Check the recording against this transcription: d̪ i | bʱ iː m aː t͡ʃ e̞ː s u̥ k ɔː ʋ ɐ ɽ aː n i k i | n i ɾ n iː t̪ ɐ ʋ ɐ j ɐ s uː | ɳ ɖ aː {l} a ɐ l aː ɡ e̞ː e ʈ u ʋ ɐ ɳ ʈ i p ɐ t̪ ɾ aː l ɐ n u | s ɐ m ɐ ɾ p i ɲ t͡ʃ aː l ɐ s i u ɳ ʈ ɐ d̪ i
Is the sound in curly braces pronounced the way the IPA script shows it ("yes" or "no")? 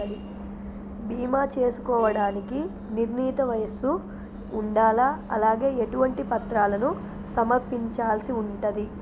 yes